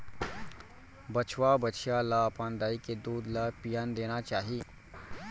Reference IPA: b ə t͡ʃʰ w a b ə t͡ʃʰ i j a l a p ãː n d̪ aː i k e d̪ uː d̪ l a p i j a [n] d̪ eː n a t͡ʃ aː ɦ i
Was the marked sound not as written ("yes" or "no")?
no